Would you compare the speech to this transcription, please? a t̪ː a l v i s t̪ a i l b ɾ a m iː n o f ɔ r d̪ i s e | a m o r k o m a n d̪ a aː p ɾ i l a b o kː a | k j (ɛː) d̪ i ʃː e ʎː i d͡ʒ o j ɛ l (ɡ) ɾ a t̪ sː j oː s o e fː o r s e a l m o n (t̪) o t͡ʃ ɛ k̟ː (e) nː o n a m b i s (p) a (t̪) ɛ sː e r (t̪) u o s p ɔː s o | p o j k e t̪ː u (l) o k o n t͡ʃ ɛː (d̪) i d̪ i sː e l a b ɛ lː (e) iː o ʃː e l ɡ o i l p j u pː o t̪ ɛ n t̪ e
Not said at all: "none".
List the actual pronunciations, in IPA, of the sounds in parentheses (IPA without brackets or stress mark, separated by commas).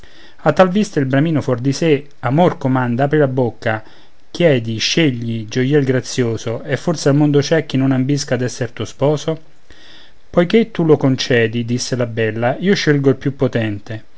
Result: ɛː, ɡ, d̪, i, k, d̪, t̪, l, d̪, a